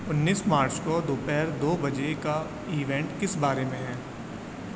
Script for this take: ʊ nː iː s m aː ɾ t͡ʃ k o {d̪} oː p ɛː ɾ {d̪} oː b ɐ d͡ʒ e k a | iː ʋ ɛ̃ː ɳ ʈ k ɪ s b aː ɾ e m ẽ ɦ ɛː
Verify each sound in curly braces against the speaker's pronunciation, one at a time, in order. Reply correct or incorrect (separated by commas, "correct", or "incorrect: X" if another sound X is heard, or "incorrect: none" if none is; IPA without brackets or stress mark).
correct, correct